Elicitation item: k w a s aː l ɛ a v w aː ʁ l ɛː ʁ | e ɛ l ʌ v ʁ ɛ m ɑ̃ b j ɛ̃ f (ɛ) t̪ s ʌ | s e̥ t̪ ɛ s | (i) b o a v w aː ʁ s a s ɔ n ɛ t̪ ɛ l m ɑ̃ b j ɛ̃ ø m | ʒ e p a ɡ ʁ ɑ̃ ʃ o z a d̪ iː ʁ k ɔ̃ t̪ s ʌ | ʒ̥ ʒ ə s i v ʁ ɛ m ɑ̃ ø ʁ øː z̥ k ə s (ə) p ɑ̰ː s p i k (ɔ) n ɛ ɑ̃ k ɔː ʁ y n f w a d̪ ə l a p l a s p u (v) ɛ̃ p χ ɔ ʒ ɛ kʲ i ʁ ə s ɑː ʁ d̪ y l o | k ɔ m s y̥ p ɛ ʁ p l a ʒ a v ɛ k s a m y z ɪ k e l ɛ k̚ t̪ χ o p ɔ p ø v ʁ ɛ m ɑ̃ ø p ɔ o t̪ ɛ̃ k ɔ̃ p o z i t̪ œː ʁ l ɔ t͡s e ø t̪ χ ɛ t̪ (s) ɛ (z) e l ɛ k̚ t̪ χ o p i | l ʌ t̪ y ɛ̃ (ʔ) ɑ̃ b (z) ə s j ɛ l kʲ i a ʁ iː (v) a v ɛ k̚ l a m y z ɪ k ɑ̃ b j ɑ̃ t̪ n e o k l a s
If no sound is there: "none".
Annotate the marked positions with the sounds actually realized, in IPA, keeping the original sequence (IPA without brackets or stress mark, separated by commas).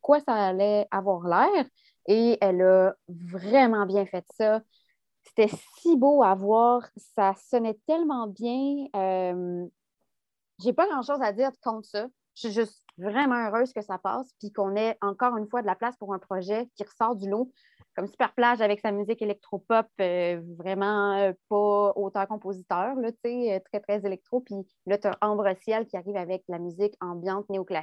ɛ, i, a, ɔ̃, ʁ, χ, z, ʔ, ʁ, v